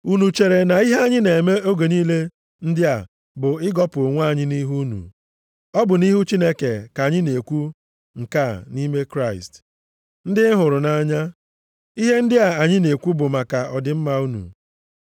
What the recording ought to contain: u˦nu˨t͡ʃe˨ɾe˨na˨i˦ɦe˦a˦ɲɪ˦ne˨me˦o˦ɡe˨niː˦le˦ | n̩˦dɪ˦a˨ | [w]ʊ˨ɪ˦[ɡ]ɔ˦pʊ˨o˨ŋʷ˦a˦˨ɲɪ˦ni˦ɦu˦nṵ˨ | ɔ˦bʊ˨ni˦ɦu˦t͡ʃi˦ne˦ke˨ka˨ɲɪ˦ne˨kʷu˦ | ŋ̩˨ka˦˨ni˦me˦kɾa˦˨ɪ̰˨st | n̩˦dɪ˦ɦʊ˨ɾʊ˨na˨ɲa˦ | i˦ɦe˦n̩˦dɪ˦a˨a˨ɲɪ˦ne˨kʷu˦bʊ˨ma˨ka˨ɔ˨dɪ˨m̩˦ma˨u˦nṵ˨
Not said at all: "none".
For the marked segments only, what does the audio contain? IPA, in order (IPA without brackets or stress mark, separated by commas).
b, ɡ